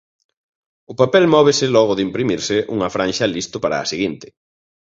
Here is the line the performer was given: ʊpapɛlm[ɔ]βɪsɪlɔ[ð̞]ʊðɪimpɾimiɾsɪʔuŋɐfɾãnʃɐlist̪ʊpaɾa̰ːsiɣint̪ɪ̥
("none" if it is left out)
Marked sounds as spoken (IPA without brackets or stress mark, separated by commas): ɔ, ɣ̞